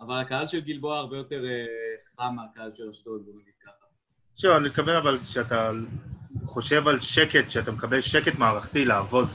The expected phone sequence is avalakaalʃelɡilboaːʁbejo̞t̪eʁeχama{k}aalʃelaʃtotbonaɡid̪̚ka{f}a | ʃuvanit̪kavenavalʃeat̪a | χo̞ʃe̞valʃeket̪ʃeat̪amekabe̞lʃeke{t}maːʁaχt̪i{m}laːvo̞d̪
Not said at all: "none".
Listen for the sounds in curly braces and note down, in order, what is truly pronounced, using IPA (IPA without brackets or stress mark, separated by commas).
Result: k, χ, t, none